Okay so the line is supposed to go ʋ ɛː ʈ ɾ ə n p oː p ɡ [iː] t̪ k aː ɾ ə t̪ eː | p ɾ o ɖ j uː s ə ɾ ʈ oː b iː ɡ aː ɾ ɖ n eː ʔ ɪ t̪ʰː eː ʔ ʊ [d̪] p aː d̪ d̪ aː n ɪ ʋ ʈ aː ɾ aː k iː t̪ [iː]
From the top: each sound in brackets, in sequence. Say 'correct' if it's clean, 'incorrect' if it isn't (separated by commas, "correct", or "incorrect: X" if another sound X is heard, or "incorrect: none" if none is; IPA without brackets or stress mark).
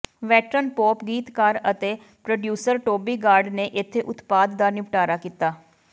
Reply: correct, incorrect: t̪, incorrect: aː